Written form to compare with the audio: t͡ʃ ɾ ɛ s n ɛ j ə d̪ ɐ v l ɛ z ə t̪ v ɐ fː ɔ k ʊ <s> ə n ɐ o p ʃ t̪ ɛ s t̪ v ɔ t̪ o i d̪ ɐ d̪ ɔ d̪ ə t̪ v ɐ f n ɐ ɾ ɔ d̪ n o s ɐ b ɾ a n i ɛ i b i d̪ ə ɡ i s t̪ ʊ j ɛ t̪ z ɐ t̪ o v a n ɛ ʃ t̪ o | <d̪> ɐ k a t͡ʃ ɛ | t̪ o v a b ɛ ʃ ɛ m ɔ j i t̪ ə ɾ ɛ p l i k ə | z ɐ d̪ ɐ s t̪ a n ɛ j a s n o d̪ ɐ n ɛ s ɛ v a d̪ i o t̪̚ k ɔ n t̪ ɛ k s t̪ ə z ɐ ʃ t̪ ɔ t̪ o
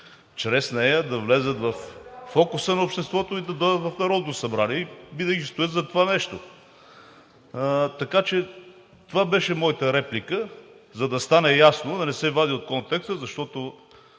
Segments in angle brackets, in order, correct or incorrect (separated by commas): correct, incorrect